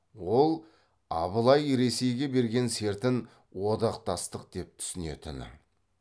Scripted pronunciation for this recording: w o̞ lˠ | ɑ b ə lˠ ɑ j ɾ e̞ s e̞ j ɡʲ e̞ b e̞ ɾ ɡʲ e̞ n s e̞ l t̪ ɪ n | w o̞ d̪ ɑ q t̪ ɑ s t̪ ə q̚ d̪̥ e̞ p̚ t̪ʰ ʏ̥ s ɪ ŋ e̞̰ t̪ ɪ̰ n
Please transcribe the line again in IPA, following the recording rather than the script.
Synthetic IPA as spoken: w o̞ lˠ | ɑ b ə lˠ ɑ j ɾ e̞ s e̞ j ɡʲ e̞ b e̞ ɾ ɡʲ e̞ n s e̞ ɾ t̪ ɪ n | w o̞ d̪ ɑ q t̪ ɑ s t̪ ə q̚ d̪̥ e̞ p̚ t̪ʰ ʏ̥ s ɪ n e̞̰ t̪ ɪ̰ n